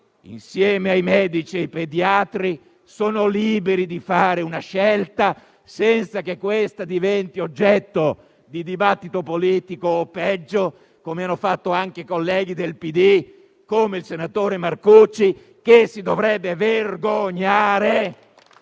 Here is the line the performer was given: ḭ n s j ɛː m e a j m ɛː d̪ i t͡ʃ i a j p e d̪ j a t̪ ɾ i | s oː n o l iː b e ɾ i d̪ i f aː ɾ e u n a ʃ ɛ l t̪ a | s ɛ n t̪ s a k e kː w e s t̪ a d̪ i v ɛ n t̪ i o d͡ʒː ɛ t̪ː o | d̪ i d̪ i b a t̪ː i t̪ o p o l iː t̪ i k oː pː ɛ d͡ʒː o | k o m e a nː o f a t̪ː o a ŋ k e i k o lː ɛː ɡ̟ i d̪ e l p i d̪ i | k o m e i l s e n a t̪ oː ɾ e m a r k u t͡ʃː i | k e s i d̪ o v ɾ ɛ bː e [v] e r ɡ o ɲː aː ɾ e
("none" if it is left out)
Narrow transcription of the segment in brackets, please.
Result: v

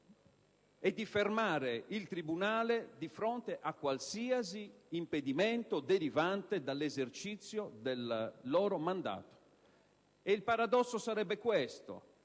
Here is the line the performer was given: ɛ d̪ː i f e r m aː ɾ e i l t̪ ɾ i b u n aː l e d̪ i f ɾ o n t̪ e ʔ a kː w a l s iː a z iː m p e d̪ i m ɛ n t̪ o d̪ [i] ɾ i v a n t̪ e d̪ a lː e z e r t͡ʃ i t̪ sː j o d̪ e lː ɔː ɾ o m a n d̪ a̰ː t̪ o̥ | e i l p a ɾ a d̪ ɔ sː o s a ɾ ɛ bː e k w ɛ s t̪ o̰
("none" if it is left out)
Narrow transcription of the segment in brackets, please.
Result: e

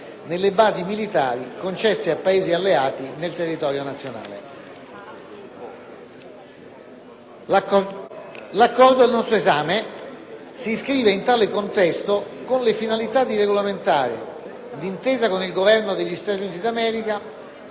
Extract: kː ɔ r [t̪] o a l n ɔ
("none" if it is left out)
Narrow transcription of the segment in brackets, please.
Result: d̪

